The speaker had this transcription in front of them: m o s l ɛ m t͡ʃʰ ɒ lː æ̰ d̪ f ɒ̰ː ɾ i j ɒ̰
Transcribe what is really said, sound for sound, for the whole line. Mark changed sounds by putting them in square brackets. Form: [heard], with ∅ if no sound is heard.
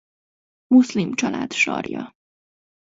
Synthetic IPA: m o s l [i] m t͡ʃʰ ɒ [l] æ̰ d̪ [ʃ] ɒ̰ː ɾ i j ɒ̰